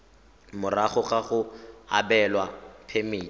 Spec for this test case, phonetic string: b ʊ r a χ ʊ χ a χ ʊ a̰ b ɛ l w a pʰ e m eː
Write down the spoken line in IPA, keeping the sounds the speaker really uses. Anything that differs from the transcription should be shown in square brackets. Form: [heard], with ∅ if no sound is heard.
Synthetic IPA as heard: [m] ʊ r a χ ʊ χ a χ ʊ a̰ b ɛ l w a pʰ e m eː